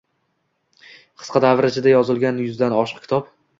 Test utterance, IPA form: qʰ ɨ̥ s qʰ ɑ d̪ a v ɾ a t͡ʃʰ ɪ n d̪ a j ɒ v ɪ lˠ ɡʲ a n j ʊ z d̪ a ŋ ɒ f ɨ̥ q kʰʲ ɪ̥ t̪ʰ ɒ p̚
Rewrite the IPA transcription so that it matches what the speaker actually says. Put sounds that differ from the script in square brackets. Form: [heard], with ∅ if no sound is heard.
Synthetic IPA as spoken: qʰ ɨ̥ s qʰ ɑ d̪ a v ɾ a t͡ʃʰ ɪ [∅] d̪ a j ɒ [z] ɪ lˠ ɡʲ a n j ʊ z d̪ a [n] ɒ [ʃ] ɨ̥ q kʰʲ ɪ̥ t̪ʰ ɒ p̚